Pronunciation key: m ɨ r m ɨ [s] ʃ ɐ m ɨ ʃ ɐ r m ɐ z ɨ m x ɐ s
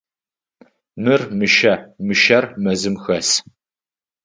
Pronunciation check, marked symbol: incorrect: none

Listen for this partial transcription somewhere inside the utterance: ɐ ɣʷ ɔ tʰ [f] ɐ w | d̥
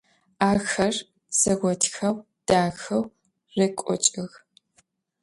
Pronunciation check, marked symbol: incorrect: x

